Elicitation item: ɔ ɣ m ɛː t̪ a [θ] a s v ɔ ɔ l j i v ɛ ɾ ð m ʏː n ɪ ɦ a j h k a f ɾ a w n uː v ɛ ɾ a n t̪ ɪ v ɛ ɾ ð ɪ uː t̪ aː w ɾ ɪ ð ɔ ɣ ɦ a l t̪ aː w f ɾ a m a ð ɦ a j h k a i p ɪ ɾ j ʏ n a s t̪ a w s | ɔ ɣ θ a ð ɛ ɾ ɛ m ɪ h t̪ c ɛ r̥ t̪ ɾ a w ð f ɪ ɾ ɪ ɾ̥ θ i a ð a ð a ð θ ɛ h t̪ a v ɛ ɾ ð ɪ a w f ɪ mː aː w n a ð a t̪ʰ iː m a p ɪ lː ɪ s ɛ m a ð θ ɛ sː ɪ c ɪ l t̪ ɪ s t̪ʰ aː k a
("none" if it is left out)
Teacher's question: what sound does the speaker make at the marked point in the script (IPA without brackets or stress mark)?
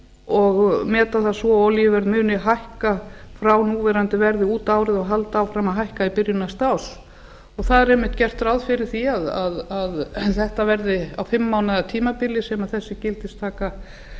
θ